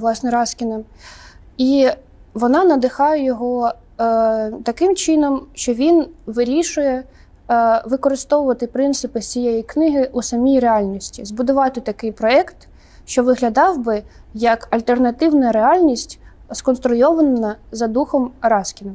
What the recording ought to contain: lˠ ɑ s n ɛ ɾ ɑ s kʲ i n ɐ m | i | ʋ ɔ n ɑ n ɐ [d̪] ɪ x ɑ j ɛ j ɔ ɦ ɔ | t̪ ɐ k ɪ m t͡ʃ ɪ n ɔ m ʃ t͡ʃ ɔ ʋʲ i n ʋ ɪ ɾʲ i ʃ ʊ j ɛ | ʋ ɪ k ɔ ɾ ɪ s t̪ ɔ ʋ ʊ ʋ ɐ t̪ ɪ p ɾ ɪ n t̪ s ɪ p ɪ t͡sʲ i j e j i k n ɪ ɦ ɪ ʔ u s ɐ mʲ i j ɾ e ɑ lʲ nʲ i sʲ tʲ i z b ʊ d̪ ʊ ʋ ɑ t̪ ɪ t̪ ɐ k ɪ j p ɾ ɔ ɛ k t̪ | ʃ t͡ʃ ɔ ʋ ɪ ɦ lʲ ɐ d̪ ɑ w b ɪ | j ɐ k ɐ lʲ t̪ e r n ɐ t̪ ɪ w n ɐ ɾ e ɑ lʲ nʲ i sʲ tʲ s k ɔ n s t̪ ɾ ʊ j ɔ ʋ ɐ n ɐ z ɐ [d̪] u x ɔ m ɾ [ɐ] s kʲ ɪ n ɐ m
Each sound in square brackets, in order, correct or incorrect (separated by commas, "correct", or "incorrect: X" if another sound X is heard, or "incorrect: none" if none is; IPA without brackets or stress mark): correct, correct, incorrect: ɑ